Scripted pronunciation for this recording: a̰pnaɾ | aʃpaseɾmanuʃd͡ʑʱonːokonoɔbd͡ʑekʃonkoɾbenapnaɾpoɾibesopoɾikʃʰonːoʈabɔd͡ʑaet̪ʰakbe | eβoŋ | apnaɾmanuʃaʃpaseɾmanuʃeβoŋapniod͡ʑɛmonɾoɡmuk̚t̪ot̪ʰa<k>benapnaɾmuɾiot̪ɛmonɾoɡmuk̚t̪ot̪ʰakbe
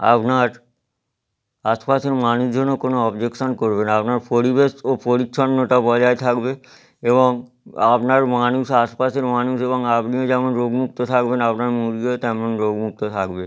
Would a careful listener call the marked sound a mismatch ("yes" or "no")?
no